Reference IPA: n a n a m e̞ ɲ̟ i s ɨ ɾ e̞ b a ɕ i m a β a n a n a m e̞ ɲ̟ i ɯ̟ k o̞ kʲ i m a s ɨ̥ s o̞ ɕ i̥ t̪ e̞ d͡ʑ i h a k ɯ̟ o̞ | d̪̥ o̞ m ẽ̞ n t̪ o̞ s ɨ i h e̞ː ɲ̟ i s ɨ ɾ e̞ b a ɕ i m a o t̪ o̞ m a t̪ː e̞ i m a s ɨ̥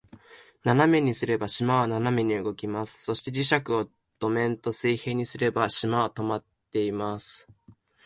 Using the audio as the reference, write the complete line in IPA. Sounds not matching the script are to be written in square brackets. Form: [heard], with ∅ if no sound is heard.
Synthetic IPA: n a n a m e̞ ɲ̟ i s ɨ ɾ e̞ b a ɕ i m a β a n a n a m e̞ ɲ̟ i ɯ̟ [ɡ] o̞ kʲ i m a s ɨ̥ s o̞ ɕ i̥ t̪ e̞ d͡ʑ i [ɕ] a k ɯ̟ o̞ | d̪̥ o̞ m ẽ̞ n t̪ o̞ s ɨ i h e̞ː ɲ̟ i s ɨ ɾ e̞ b a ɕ i m a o t̪ o̞ m a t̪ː e̞ i m a s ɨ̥